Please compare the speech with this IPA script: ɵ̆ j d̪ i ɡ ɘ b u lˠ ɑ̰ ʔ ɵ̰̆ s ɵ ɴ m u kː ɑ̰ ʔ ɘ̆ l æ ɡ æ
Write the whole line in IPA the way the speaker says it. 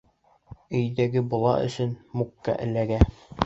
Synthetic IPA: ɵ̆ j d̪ æ ɡ ɘ b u lˠ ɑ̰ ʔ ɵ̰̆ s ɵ n m u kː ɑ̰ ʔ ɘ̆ l æ ɡ æ

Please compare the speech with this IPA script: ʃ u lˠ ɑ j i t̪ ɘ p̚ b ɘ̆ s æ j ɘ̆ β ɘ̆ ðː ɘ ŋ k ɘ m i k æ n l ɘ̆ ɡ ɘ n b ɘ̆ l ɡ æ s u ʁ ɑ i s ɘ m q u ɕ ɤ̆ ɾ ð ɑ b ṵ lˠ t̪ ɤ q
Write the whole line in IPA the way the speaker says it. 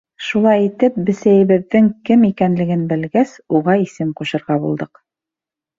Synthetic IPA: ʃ u lˠ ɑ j i t̪ ɘ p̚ b ɘ̆ s æ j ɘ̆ β ɘ̆ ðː ɘ ŋ k ɘ m i k æ n l ɘ̆ ɡ ɘ n b ɘ̆ l ɡ æ s u ʁ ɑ i s ɘ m q u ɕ ɤ̆ ɾ ʁ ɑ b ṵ lˠ d̪ ɤ q

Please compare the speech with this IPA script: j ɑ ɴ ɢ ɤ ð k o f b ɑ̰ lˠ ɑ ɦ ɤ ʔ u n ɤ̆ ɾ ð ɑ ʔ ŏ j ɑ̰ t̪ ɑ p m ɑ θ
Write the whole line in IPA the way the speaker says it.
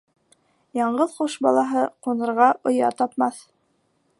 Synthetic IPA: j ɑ ɴ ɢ ɤ ð q o ʃ b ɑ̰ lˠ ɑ ɦ ɤ q u n ɤ̆ ɾ ʁ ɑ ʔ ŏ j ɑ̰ t̪ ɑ p m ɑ θ

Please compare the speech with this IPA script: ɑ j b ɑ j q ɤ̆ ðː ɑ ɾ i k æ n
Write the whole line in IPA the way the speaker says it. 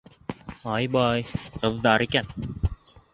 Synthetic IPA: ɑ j b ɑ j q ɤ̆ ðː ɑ ɾ i k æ n

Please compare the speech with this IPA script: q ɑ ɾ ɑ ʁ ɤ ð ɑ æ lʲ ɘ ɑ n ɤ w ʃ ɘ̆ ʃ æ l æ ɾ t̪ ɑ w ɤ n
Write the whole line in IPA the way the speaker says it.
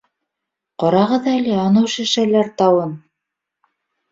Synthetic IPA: q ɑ ɾ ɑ ʁ ɤ ð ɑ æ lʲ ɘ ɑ n ɤ w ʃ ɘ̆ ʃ æ l æ ɾ t̪ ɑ w ɤ n

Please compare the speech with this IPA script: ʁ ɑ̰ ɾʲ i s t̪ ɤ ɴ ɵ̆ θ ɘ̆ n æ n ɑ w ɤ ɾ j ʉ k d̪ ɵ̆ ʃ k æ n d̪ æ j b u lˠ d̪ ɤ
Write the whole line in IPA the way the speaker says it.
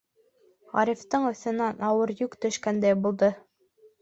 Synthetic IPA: ʁ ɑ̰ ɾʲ i f t̪ ɤ ɴ ɵ̆ θ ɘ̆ n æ n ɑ w ɤ ɾ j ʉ k t̪ ɵ̆ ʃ k æ n d̪ æ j b u lˠ d̪ ɤ

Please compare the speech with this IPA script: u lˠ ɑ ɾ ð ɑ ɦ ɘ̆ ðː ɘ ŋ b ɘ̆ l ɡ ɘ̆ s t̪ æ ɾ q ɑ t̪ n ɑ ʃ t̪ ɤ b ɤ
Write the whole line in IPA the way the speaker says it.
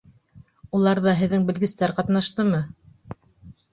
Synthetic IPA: u lˠ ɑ ɾ ð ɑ ɦ ɘ̆ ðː ɘ ŋ b ɘ̆ l ɡ ɘ̆ s t̪ æ ɾ q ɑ t̪ n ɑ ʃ t̪ ɤ m ɤ

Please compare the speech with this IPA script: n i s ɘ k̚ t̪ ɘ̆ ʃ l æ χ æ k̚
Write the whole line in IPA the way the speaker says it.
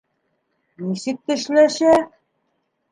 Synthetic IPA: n i s ɘ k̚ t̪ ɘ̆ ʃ l æ ʃ æ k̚

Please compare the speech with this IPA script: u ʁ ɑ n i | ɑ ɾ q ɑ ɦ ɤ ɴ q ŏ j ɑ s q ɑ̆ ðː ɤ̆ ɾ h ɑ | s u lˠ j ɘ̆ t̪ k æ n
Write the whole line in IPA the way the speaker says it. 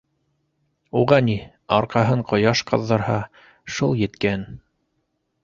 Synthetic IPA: u ʁ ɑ n i | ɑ ɾ q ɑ ɦ ɤ ɴ q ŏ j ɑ ʃ q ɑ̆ ðː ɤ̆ ɾ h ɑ | ʃ u lˠ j ɘ̆ t̪ k æ n

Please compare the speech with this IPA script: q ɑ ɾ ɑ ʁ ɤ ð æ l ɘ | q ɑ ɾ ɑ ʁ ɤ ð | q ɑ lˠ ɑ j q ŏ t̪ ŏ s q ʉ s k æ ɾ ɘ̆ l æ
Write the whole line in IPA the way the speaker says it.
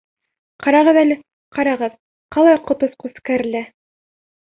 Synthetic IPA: q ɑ ɾ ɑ ʁ ɤ ð æ l ɘ | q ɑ ɾ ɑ ʁ ɤ ð | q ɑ lˠ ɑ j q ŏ t̪ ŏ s q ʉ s k æ ɾ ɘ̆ l æ

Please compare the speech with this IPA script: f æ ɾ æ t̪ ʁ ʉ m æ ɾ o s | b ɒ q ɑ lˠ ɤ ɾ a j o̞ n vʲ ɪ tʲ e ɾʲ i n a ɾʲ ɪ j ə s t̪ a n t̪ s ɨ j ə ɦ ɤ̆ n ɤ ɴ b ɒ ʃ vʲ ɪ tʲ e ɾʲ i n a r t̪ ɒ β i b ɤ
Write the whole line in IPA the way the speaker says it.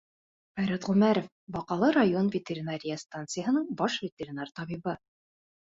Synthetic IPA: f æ ɾ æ t̪ ʁ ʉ m æ ɾ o f | b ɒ q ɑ lˠ ɤ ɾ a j o̞ n vʲ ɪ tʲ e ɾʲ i n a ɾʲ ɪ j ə s t̪ a n t̪ s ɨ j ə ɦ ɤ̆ n ɤ ɴ b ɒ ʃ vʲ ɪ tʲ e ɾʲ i n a r t̪ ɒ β i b ɤ

